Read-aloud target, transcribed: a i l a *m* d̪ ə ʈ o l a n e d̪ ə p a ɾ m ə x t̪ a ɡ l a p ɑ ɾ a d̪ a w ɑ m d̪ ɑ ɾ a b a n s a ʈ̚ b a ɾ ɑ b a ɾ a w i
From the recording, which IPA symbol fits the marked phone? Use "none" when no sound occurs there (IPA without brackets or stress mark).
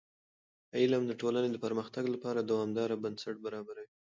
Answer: m